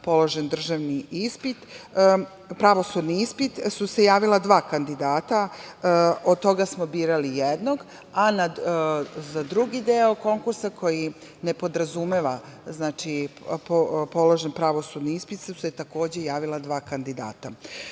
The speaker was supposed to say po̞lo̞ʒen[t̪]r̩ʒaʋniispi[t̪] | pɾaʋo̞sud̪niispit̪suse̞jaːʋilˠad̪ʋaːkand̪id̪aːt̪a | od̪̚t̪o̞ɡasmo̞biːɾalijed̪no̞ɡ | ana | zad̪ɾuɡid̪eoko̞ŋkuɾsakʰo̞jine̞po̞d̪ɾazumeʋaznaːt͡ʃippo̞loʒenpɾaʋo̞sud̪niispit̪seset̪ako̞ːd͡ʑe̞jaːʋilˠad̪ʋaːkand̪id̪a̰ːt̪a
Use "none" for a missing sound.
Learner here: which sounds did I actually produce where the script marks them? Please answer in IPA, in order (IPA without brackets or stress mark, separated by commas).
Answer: d̪, t̪